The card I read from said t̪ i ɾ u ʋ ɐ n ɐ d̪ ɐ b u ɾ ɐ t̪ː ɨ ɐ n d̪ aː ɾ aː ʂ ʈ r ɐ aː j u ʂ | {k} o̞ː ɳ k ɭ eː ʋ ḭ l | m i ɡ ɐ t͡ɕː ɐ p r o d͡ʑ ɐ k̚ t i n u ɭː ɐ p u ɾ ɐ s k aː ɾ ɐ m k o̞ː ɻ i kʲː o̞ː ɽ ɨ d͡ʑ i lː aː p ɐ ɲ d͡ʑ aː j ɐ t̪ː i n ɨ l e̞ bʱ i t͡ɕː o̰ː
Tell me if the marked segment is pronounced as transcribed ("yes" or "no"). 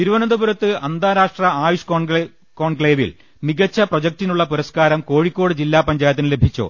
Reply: yes